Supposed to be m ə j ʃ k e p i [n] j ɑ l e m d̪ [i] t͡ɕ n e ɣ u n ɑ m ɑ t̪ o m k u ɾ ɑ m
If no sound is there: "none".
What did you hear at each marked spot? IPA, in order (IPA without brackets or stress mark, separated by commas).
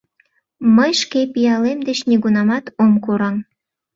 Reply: none, e